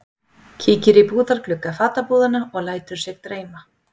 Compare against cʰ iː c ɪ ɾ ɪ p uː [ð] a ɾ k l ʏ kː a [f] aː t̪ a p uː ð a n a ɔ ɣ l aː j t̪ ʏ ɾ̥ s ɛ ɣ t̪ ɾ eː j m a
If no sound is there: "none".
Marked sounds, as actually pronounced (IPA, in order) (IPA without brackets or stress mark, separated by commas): ð, f